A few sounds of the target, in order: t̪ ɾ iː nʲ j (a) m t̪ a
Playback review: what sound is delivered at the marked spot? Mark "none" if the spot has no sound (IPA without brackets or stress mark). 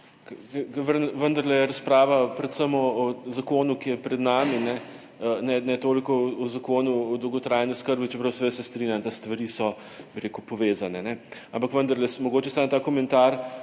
a